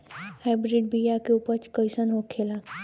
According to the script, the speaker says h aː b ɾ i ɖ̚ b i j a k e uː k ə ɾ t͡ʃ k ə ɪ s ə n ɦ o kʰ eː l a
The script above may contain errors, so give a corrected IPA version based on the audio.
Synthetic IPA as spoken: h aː b ɾ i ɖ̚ b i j a k e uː p ə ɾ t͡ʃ k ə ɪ s ə n ɦ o kʰ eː l a